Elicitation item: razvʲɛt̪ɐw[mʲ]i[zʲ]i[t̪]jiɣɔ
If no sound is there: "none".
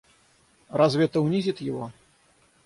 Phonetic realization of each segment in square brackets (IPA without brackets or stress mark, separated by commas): nʲ, zʲ, t̪